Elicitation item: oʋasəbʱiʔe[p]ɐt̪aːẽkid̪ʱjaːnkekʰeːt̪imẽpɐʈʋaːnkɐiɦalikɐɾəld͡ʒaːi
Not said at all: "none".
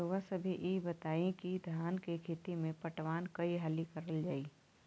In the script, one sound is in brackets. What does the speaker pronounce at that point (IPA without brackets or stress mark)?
b